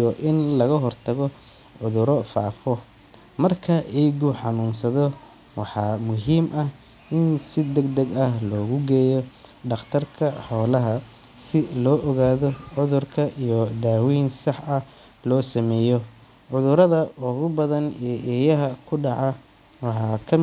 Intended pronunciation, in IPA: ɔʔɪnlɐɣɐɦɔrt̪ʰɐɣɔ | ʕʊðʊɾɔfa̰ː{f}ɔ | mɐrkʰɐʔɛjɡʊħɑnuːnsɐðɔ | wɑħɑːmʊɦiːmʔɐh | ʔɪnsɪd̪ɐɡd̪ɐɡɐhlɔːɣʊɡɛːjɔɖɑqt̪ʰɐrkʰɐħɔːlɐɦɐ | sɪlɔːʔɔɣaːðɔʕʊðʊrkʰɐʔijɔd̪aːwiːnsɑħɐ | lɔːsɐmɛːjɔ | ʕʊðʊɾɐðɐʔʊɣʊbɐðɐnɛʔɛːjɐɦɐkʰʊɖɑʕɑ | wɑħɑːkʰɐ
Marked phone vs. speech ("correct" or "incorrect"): correct